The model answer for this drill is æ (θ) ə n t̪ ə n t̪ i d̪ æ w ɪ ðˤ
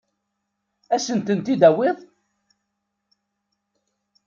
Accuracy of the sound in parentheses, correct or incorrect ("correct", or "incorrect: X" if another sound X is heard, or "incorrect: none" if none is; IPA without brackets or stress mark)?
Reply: incorrect: s